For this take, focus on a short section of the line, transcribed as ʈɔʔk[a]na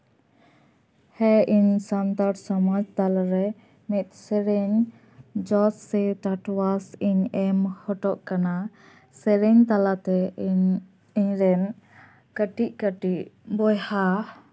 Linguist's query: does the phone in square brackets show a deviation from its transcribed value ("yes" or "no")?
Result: no